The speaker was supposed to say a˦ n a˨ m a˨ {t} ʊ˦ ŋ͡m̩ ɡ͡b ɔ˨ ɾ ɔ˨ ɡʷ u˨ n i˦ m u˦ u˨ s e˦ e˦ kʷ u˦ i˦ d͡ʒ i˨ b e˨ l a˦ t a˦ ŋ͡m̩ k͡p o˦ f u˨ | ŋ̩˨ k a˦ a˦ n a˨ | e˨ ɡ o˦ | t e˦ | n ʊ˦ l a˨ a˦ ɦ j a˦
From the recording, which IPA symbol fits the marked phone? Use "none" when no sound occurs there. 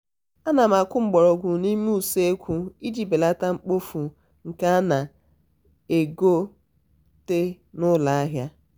k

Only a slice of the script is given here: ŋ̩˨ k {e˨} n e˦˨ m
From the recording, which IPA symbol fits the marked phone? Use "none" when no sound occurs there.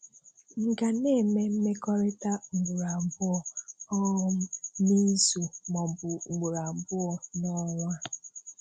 a˨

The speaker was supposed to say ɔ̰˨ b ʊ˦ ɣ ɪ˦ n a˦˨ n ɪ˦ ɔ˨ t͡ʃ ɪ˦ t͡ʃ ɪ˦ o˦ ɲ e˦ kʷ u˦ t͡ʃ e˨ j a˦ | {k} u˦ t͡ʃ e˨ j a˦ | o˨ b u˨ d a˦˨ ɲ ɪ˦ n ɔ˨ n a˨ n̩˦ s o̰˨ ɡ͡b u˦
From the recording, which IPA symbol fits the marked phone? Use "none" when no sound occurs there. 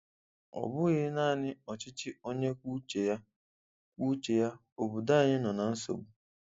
k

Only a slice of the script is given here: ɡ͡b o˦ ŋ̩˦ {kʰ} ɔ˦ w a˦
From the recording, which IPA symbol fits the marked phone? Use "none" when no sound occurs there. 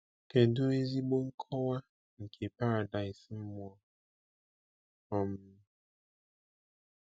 kʰ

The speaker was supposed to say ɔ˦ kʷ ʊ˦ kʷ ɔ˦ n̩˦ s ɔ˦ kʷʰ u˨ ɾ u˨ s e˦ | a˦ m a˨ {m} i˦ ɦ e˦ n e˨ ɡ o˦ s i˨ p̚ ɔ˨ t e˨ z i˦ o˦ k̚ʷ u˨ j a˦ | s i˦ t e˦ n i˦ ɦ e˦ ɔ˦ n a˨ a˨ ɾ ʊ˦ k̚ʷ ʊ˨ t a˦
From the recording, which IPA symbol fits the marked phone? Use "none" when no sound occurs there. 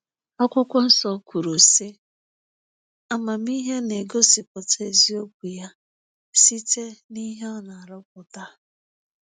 m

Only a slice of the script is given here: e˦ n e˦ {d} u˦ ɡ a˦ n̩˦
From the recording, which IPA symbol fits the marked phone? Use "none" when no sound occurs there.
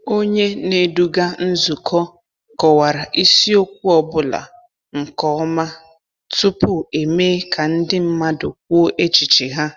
d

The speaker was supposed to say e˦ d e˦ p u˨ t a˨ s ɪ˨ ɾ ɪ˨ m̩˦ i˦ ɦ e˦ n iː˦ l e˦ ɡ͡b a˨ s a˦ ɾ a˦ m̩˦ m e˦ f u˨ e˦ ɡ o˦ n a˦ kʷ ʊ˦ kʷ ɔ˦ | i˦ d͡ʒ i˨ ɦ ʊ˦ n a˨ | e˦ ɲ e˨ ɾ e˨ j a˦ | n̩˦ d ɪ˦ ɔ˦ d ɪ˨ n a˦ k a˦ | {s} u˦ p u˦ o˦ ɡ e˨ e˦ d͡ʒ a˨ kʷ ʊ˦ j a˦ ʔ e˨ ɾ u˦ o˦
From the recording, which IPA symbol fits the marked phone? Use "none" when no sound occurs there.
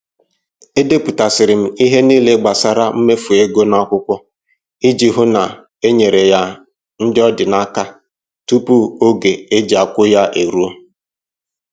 t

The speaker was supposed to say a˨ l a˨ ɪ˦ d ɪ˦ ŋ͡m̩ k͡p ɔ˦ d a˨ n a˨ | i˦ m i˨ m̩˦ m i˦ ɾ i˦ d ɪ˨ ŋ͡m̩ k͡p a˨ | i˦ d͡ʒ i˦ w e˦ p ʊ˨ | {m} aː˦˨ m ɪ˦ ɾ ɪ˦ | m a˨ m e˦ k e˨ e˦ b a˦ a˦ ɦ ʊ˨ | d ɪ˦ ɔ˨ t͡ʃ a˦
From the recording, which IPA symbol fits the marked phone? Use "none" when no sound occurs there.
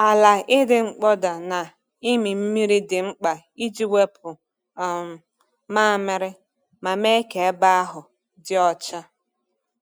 m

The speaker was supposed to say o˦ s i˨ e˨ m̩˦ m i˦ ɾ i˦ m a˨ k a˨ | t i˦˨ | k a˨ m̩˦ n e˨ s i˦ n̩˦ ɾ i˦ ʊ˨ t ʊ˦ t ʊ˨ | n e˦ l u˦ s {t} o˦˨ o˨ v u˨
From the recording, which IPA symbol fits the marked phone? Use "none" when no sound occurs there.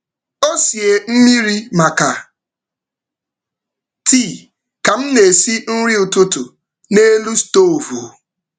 t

